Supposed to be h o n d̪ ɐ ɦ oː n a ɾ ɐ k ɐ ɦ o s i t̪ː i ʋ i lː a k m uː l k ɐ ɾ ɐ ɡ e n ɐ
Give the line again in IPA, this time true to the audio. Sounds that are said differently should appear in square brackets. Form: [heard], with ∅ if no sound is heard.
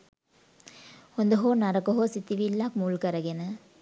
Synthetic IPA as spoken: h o n d̪ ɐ ɦ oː n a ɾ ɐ k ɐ ɦ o s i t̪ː i ʋ i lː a k m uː l k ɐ ɾ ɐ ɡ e n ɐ